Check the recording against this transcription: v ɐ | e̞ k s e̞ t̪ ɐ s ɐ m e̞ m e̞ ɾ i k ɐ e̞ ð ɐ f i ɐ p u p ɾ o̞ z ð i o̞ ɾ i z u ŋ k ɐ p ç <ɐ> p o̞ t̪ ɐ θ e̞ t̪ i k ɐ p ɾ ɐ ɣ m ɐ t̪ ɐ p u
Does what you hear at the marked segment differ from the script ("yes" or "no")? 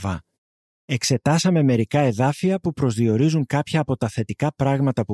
yes